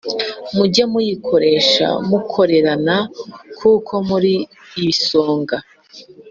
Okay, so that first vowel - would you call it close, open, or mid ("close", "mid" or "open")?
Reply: close